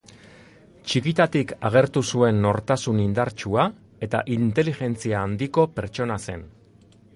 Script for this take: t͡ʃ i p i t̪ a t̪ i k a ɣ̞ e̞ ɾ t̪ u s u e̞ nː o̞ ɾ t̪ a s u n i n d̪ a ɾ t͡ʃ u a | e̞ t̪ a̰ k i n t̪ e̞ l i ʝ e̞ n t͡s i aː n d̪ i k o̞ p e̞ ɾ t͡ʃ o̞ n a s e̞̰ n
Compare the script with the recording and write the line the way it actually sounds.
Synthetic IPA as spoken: t͡ʃ i k i t̪ a t̪ i k a ɣ̞ e̞ ɾ t̪ u s u e̞ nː o̞ ɾ t̪ a s u n i n d̪ a ɾ t͡ʃ u a | e̞ t̪ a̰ ʔ i n t̪ e̞ l i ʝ e̞ n t͡s i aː n d̪ i k o̞ p e̞ ɾ t͡ʃ o̞ n a s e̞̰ n

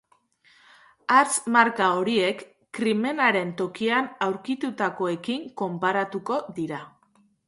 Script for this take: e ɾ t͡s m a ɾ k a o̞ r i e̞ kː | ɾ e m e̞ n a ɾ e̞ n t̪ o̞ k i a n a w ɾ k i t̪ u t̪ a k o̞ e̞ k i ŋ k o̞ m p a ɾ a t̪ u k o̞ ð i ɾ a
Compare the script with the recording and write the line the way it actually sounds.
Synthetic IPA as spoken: a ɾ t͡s m a ɾ k a o̞ ɾ i e̞ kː | ɾ i m e̞ n a ɾ e̞ n t̪ o̞ k i a n a w ɾ k i t̪ u t̪ a k o̞ e̞ k i ŋ k o̞ m p a ɾ a t̪ u k o̞ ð i ɾ a

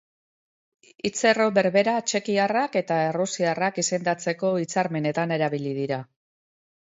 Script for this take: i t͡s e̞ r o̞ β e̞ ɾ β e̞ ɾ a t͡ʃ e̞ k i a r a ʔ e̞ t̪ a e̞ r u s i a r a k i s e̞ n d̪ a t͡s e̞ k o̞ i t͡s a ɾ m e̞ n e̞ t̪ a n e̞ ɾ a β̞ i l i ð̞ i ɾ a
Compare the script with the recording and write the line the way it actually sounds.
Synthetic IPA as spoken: i t͡s e̞ r o̞ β e̞ ɾ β e̞ ɾ a t͡ʃ e̞ k i a r a k e̞ t̪ a e̞ r u s i a r a k i s e̞ n d̪ a t͡s e̞ k o̞ i t͡s a ɾ m e̞ n e̞ t̪ a n e̞ ɾ a β̞ i l i ð̞ i ɾ a

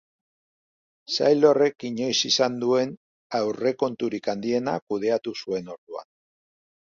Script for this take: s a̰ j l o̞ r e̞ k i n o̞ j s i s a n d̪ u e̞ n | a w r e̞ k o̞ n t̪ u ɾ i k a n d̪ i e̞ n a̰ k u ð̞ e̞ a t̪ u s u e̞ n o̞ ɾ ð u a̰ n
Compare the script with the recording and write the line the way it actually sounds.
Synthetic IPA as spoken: s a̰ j l o̞ r e̞ k i ɲ o̞ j s i s a n d̪ u e̞ n | a w r e̞ k o̞ n t̪ u ɾ i k a n d̪ i e̞ n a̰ k u ð̞ e̞ a t̪ u s u e̞ n o̞ ɾ ð u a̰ n

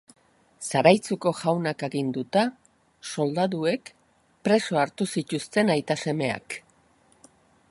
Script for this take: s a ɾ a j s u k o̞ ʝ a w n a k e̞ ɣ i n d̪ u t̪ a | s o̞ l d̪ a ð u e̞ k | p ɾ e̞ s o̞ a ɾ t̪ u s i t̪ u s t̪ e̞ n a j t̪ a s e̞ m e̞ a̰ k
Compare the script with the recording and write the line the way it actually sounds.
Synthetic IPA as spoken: s a ɾ a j t͡s u k o̞ ʝ a w n a k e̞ ɣ i n d̪ u t̪ a | s o̞ l d̪ a ð u e̞ k | p ɾ e̞ s o̞ a ɾ t̪ u s i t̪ u s t̪ e̞ n a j t̪ a s e̞ m e̞ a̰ k

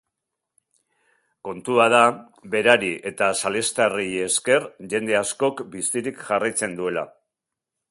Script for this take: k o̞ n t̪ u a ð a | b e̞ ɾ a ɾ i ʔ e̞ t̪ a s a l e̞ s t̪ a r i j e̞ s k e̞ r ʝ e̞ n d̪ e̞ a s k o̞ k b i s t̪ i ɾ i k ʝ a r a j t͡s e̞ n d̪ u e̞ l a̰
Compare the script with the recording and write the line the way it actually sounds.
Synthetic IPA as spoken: k o̞ n t̪ u a ð a | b e̞ ɾ a ɾ i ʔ e̞ t̪ a s a l e̞ s t̪ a r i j e̞ s k e̞ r ʝ e̞ n d̪ e̞ a s k o̞ k b i s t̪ i ɾ i k ʝ a r a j t͡s e̞ n d̪ u e̞ l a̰

